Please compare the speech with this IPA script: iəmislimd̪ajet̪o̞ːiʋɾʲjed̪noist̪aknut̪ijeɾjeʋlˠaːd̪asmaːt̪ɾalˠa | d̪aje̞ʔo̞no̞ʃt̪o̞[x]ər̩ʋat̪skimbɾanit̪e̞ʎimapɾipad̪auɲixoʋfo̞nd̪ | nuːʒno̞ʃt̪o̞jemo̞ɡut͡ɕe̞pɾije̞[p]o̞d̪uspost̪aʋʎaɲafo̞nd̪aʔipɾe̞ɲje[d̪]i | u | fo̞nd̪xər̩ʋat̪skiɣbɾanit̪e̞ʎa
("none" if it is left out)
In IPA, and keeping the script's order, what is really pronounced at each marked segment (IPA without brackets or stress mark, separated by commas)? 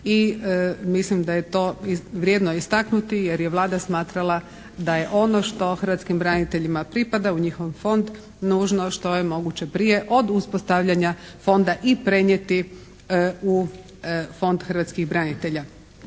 x, ʔ, t̪